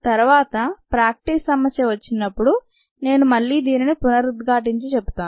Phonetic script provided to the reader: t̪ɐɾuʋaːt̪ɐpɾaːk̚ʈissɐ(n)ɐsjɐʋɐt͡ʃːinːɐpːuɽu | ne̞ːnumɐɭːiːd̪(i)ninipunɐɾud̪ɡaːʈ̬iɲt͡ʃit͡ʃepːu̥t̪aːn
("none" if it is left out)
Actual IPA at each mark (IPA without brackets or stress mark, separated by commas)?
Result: m, iː